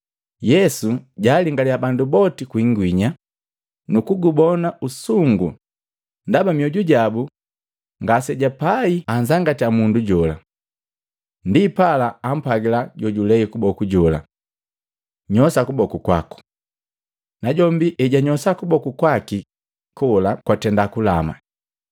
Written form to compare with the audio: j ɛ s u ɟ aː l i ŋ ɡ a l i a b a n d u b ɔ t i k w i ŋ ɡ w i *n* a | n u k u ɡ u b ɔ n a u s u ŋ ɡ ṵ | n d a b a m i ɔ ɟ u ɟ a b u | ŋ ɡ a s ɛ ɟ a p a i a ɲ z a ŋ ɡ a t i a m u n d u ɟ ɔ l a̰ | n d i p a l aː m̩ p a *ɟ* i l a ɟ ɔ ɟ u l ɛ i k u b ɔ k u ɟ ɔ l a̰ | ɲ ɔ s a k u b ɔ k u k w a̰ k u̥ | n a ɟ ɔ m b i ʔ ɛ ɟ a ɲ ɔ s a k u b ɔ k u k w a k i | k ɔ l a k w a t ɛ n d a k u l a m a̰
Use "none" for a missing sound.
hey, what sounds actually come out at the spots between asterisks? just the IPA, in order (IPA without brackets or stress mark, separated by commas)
ɲ, ɡ